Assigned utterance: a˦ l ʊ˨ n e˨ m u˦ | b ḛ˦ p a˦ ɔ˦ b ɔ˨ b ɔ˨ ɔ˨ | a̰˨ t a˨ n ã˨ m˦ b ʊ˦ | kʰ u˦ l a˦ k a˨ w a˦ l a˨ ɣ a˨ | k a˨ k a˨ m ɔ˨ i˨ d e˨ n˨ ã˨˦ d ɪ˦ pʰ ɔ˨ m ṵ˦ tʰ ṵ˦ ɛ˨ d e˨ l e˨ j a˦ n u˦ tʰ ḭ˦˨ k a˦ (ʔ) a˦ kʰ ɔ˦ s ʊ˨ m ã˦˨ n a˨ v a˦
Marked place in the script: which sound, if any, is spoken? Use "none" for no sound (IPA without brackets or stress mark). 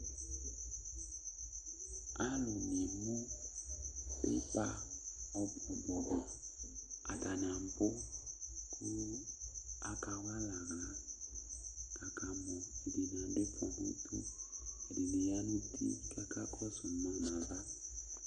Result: k